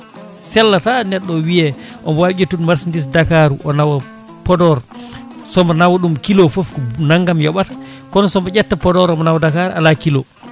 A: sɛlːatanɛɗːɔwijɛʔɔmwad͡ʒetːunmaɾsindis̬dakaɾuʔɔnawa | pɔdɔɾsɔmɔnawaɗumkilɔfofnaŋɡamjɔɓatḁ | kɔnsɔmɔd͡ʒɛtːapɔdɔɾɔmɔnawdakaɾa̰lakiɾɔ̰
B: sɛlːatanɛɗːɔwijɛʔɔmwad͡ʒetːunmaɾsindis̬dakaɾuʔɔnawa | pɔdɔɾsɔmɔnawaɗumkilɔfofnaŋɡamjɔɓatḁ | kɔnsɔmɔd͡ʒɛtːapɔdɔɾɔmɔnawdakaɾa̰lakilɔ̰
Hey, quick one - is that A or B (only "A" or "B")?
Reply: B